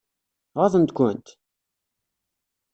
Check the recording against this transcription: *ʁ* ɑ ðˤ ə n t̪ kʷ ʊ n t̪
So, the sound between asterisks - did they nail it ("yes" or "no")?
yes